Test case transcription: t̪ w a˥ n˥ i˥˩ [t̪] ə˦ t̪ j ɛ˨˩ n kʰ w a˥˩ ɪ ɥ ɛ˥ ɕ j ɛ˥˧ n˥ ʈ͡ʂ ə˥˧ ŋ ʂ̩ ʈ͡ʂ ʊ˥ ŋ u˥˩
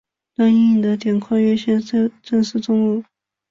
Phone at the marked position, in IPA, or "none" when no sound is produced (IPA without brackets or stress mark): d̪